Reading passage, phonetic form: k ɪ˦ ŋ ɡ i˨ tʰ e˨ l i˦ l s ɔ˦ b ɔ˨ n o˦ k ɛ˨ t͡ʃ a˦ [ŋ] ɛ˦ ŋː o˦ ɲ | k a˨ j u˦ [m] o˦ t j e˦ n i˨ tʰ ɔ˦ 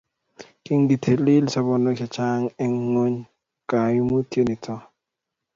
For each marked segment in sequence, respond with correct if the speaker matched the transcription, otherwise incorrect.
correct, correct

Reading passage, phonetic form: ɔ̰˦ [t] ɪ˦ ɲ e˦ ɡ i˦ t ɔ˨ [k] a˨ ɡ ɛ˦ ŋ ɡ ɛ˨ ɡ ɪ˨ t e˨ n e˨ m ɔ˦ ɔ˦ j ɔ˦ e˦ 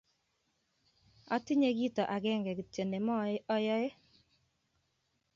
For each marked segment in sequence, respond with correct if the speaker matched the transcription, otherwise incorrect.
correct, incorrect

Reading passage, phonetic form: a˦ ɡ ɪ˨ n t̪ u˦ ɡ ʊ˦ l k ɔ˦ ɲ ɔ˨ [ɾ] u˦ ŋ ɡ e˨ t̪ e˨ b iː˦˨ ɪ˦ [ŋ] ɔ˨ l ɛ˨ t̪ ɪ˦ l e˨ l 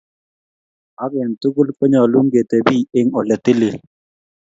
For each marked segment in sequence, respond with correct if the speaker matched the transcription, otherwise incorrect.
incorrect, correct

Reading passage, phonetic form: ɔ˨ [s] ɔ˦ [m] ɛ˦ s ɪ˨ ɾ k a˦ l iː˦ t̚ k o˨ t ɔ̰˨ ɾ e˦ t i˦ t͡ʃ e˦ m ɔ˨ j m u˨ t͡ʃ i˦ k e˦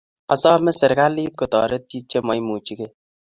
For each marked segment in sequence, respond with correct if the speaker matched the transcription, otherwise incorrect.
correct, correct

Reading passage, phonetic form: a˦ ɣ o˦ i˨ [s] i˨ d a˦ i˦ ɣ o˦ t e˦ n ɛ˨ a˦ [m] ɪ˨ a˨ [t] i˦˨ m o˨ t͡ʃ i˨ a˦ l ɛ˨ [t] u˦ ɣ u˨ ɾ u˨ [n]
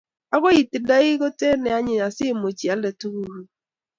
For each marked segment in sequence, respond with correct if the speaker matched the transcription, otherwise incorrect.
incorrect, incorrect, incorrect, correct, incorrect

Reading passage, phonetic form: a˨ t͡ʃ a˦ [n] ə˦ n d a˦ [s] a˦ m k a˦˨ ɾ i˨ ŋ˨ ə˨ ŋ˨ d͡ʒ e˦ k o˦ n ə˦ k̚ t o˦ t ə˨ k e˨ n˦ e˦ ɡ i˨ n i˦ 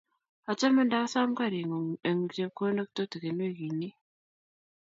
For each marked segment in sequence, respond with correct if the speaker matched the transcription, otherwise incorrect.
incorrect, correct

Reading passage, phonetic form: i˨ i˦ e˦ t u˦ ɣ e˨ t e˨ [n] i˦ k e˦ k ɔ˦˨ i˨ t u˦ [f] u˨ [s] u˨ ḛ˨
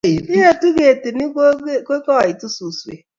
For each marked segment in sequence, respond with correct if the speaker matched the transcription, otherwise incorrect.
correct, incorrect, correct

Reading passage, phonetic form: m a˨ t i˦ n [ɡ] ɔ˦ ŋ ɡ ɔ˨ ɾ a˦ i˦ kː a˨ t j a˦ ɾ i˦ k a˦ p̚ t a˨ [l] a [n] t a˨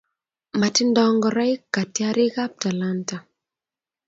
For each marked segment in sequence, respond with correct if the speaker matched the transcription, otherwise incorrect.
incorrect, correct, correct

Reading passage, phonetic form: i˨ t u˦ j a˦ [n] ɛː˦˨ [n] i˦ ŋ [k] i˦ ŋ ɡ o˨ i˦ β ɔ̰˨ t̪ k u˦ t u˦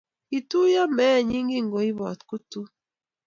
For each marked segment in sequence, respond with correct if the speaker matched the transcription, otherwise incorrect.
incorrect, incorrect, incorrect

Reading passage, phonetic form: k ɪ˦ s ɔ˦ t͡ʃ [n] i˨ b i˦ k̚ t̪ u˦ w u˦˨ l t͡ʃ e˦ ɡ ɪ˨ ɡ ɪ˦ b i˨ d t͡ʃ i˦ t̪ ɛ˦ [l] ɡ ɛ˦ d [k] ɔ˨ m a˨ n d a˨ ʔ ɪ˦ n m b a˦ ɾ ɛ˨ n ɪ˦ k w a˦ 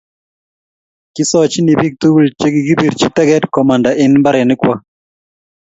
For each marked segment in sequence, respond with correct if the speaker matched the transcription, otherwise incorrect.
correct, incorrect, correct

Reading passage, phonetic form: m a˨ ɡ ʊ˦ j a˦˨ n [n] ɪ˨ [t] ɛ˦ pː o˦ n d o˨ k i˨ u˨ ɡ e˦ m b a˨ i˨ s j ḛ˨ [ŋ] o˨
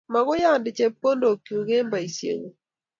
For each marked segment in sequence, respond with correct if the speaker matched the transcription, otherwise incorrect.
incorrect, incorrect, correct

